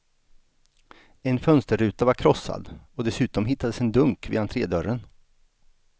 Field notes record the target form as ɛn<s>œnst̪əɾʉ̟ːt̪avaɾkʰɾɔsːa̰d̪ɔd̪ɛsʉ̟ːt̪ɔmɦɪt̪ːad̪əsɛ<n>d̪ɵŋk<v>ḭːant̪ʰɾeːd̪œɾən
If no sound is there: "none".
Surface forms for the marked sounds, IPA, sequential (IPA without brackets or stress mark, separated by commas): f, n, v